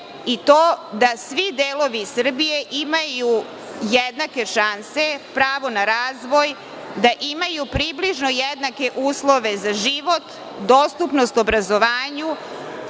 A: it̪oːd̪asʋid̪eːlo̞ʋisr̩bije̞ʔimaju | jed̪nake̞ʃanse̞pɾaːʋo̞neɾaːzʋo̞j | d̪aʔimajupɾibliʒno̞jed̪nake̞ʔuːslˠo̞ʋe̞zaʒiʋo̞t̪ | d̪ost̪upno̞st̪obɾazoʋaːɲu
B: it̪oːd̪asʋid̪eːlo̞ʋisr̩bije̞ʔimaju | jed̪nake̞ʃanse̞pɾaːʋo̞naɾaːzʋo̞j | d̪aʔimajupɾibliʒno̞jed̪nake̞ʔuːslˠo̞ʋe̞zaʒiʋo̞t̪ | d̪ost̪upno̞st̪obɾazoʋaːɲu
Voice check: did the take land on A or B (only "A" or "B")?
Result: B